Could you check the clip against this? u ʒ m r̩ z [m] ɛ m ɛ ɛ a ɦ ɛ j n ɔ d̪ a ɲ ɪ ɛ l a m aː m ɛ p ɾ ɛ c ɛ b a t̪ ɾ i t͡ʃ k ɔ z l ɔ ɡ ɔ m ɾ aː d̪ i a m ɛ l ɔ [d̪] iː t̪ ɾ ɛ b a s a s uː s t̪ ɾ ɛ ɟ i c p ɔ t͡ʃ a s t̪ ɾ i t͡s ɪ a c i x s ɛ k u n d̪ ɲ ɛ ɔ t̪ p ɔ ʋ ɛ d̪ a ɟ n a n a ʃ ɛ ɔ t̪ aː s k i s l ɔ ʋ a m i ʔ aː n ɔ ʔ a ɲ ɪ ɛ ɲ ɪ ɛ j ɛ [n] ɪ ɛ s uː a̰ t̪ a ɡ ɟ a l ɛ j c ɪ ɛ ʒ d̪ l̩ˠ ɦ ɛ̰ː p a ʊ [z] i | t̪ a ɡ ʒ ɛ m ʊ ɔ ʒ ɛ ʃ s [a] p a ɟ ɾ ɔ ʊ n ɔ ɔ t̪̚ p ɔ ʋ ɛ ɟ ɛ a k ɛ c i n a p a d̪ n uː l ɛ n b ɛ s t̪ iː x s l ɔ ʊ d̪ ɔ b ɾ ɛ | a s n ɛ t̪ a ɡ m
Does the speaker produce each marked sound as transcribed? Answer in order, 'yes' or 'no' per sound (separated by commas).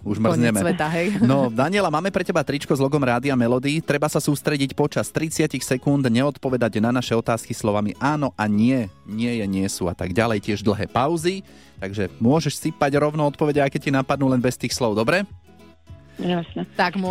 no, yes, no, yes, no